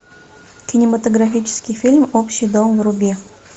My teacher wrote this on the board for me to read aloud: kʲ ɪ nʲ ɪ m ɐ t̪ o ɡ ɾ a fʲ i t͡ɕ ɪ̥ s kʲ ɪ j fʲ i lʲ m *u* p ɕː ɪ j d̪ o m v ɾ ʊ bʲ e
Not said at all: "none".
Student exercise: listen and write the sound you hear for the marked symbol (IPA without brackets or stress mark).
o